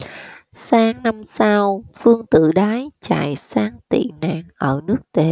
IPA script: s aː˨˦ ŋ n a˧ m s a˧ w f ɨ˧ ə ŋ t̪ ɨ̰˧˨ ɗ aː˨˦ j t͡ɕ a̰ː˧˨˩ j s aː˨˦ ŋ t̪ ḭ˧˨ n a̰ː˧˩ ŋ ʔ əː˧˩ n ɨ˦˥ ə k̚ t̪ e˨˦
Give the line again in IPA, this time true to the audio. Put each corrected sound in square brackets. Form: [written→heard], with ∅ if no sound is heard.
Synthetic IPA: s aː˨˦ ŋ n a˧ m s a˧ w f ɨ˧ ə ŋ t̪ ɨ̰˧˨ ɗ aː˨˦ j t͡ɕ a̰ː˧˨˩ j s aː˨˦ ŋ t̪ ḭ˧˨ n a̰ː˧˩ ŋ ʔ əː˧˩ n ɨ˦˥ ə k̚ t̪ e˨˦